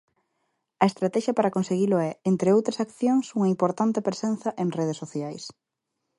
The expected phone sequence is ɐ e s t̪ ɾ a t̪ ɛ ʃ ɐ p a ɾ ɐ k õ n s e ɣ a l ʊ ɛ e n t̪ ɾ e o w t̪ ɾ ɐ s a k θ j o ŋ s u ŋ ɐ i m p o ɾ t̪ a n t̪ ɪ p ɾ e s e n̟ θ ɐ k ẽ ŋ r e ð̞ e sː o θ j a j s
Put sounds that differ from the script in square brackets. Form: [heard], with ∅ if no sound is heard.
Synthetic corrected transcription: ɐ e s t̪ ɾ a t̪ ɛ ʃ ɐ p a ɾ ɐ k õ n s e ɣ [i] l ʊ ɛ e n t̪ ɾ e o w t̪ ɾ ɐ s a k θ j o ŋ s u ŋ ɐ i m p o ɾ t̪ a n t̪ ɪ p ɾ e s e n̟ θ ɐ [ʔ] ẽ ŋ r e ð̞ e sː o θ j a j s

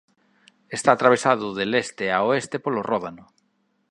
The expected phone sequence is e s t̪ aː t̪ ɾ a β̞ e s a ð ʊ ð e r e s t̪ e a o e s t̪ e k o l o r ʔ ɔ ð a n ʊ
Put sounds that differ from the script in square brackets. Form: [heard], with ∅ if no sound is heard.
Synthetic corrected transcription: e s t̪ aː t̪ ɾ a β̞ e s a ð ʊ ð e [l] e s t̪ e a o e s t̪ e [p] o l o r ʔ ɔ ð a n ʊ

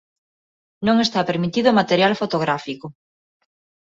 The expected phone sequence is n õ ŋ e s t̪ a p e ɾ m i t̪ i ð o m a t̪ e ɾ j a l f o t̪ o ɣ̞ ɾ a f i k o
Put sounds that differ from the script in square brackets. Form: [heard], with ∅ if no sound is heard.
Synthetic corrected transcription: n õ ŋ e s t̪ a p e ɾ m i t̪ i ð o m a t̪ e ɾ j a l f o t̪ o ɣ̞ ɾ a f i k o

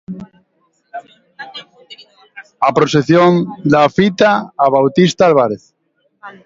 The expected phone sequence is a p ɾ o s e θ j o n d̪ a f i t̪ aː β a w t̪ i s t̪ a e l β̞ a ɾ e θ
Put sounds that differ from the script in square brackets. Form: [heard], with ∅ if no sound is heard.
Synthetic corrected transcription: a p ɾ o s e θ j o n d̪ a f i t̪ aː β a w t̪ i s t̪ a [a] l β̞ a ɾ e θ

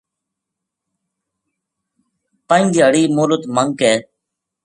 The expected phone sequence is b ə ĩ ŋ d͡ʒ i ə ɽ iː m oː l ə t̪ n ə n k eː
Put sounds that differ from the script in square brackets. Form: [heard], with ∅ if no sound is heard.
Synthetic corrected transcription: [p] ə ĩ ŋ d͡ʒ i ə ɽ iː m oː l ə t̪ [m] ə [ŋ] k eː

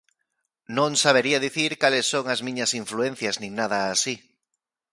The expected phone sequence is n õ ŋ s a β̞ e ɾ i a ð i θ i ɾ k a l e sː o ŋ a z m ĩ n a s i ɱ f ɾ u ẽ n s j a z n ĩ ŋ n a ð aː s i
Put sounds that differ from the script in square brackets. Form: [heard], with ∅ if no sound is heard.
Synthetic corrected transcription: n õ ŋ s a β̞ e ɾ i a ð i θ i ɾ k a l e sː o ŋ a z m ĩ [ɲ] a s i ɱ f [l] u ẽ n [θ] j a z n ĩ ŋ n a ð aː s i

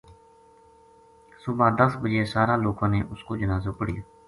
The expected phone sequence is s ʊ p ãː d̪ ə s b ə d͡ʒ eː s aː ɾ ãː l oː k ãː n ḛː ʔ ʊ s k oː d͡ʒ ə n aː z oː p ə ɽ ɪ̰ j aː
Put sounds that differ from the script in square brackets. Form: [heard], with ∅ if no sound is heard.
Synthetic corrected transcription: s ʊ [b] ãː d̪ ə s b ə d͡ʒ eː s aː ɾ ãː l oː k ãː n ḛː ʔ ʊ s k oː d͡ʒ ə n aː z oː p ə ɽ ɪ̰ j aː

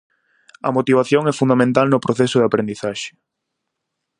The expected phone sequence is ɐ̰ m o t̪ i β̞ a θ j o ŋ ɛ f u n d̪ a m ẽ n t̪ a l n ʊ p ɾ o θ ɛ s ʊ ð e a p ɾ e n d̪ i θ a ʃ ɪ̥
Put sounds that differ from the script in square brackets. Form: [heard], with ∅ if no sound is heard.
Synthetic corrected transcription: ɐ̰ m o t̪ i β̞ a θ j o ŋ ɛ f u n d̪ a m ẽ n t̪ a l n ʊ p ɾ o θ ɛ s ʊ ð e a p ɾ e n d̪ i θ a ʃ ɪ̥

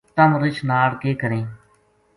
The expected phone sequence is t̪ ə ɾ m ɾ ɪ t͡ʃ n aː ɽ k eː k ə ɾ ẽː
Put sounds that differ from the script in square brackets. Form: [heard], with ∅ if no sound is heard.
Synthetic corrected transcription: t̪ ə [∅] m ɾ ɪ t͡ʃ n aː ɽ k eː k ə ɾ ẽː

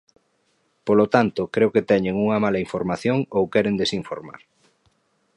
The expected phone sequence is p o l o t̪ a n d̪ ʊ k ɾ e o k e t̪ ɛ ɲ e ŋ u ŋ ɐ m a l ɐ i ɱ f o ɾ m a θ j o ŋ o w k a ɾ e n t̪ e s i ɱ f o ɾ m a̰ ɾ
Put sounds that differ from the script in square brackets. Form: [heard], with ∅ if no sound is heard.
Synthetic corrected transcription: p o l o t̪ a n [t̪] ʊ k ɾ e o k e t̪ ɛ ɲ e ŋ u ŋ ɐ m a l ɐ i ɱ f o ɾ m a θ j o ŋ o w k [ɛ] ɾ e n [d̪] e s i ɱ f o ɾ m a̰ ɾ

